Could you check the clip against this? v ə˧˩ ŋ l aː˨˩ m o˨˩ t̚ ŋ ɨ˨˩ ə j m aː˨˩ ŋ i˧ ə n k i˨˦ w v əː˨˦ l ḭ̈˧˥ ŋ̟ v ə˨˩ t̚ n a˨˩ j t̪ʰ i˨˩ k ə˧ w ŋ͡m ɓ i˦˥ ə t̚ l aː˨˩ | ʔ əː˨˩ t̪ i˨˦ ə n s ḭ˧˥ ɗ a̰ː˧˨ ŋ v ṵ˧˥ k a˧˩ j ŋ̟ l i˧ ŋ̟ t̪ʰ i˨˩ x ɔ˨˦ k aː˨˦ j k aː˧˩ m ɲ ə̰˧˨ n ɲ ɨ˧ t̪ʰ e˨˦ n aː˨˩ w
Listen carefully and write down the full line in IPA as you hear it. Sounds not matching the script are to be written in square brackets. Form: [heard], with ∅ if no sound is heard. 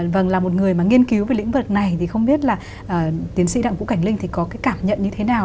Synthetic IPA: v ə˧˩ ŋ l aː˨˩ m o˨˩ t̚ ŋ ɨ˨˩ ə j m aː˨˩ ŋ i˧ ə n k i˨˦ w v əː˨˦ l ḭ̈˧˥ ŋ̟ v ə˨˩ t̚ n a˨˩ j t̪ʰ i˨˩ [x] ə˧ w ŋ͡m ɓ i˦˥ ə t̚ l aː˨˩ | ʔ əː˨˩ t̪ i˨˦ ə n s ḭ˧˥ ɗ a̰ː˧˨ ŋ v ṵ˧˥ k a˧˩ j ŋ̟ l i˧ ŋ̟ t̪ʰ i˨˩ [k] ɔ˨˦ k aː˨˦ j k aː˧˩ m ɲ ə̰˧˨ n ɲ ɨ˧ t̪ʰ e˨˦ n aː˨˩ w